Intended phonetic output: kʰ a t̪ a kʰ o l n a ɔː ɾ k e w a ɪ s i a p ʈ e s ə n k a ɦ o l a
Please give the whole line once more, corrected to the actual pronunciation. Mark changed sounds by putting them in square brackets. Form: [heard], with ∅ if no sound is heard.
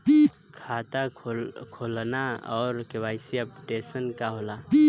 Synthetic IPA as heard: kʰ a t̪ a kʰ o l n a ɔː ɾ k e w a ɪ s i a p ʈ e s ə n k a ɦ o l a